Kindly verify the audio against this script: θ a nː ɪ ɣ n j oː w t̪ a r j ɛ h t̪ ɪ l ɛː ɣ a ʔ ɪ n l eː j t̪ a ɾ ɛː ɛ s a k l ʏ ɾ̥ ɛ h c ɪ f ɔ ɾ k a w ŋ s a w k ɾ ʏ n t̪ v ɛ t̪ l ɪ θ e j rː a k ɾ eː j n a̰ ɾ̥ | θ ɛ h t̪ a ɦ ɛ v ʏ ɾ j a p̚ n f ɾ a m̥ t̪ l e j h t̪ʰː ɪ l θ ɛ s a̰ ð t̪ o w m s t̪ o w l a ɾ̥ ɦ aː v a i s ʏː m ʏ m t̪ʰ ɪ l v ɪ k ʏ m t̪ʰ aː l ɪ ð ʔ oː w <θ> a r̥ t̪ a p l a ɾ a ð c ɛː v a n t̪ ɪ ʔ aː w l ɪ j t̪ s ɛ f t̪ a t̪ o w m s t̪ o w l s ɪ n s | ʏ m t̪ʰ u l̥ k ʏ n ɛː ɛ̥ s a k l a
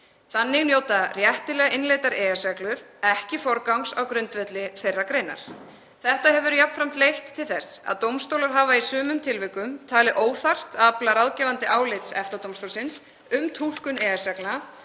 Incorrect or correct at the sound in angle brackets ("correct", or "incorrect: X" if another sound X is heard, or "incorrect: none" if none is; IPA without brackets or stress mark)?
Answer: correct